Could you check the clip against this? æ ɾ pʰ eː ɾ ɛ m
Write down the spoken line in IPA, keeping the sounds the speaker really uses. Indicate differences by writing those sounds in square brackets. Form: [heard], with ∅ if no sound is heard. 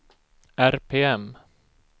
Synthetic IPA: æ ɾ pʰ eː [∅] ɛ m